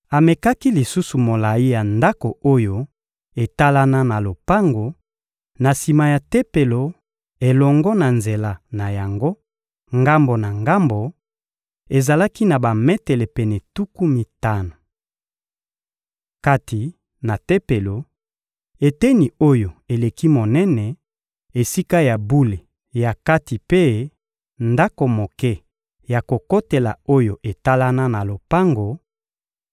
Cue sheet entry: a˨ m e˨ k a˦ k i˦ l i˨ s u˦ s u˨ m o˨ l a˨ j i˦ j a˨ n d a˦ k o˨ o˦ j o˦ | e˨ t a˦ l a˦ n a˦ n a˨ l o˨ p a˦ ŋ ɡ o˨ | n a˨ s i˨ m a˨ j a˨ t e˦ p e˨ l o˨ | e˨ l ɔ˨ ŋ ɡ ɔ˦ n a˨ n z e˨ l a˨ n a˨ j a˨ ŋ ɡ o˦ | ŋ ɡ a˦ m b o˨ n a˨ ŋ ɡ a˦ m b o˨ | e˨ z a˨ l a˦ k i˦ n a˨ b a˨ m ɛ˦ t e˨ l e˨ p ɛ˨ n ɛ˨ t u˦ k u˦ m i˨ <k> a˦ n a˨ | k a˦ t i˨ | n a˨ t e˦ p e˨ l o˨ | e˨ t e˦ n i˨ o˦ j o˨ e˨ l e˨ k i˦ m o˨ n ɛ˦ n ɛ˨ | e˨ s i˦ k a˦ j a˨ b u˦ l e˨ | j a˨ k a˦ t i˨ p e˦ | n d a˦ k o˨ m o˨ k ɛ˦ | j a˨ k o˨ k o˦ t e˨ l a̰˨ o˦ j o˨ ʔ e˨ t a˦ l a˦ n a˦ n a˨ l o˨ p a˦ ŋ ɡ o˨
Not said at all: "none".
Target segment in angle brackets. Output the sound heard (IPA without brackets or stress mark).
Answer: t